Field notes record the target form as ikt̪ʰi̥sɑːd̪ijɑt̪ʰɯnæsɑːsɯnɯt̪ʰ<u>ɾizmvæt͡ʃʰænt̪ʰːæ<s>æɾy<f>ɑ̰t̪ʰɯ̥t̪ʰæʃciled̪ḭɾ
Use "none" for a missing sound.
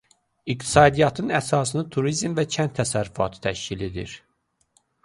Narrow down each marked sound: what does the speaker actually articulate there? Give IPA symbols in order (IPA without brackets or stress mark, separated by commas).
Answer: u, s, f